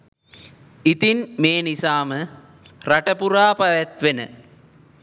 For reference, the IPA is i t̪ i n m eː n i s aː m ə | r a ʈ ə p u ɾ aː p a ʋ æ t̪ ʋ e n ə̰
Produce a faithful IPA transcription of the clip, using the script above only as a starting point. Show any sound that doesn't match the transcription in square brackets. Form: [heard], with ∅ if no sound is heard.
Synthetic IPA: i t̪ i n m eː n i s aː m ə | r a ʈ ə p u ɾ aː p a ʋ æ t̪ ʋ e n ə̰